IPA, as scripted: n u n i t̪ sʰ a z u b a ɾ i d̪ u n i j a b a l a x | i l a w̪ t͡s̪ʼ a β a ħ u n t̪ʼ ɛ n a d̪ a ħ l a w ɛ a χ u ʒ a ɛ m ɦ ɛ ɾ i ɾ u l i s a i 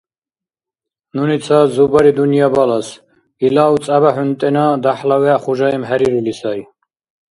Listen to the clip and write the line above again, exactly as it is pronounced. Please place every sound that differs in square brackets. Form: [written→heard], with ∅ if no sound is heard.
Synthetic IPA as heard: n u n i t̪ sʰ a z u b a ɾ i d̪ u n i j a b a l a [x→s] | i l a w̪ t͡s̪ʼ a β a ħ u n t̪ʼ ɛ n a d̪ a ħ l a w ɛ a χ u ʒ a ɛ m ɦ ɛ ɾ i ɾ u l i s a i